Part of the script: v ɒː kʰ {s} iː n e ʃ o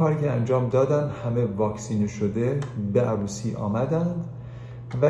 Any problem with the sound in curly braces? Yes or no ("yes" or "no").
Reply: no